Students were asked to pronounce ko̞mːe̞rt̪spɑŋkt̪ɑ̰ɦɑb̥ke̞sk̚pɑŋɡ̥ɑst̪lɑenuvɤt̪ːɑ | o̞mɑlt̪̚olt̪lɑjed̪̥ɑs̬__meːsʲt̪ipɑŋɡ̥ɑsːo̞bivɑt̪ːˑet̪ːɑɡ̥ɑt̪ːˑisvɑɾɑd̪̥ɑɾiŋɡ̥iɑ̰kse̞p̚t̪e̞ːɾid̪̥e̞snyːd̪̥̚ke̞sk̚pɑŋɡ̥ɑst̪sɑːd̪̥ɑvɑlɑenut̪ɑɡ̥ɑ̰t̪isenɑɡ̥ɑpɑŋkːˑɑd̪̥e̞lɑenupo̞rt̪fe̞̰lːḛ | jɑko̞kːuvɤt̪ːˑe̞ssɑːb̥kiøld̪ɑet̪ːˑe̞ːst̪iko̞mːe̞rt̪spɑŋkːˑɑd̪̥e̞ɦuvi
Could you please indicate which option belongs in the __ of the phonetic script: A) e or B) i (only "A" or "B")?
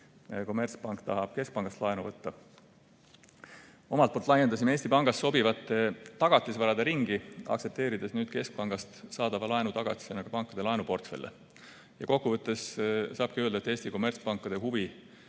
B